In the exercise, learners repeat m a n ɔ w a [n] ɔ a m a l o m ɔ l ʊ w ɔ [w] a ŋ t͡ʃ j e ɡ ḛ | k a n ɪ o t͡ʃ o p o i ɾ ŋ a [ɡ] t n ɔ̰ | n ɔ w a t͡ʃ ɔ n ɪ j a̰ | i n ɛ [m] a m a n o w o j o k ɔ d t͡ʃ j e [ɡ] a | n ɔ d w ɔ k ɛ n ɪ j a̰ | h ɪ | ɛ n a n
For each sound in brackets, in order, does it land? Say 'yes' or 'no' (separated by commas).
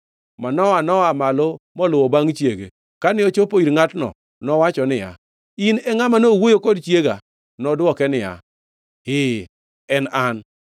yes, no, no, no, yes